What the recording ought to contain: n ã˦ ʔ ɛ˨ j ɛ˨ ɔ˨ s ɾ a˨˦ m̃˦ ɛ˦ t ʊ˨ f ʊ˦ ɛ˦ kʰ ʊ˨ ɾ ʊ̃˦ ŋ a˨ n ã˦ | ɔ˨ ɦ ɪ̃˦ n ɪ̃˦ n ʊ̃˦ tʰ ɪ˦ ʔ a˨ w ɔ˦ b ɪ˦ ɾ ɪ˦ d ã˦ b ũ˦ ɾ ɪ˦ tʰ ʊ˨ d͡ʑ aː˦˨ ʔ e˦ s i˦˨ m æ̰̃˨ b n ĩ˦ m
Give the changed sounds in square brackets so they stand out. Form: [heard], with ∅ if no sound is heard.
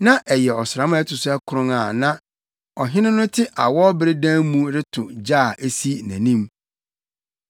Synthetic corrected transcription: n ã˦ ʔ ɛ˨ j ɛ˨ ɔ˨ s ɾ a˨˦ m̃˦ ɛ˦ t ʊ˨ [s] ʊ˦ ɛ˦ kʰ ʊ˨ ɾ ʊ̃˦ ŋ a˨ n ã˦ | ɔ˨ ɦ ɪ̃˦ n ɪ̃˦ n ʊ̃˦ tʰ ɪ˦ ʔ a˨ w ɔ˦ b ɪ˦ ɾ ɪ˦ d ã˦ [m] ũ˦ ɾ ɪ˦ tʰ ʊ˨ d͡ʑ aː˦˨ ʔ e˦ s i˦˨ [n] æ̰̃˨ [∅] n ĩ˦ m